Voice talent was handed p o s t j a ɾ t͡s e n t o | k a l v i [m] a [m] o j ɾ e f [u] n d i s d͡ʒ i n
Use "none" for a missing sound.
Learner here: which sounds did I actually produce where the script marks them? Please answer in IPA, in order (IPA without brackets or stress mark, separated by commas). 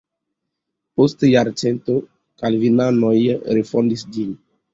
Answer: n, n, o